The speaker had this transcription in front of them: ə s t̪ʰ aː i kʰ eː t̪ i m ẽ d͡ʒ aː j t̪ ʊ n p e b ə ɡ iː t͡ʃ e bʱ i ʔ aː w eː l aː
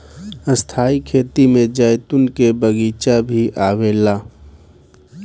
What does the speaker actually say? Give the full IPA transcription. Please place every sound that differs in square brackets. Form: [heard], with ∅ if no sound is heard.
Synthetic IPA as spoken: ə s t̪ʰ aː i kʰ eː t̪ i m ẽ d͡ʒ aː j t̪ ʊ n [k] e b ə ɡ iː t͡ʃ [a] bʱ i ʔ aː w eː l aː